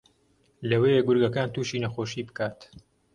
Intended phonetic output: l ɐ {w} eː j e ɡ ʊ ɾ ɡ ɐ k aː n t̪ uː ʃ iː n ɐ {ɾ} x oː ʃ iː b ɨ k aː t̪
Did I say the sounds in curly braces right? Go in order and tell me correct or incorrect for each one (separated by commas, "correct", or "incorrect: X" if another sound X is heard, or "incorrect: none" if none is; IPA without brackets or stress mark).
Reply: correct, incorrect: none